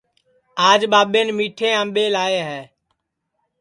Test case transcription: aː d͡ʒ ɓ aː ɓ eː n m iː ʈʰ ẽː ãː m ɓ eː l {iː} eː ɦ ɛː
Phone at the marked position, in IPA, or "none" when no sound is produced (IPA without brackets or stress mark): aː